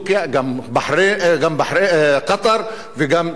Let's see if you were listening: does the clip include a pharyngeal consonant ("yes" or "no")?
yes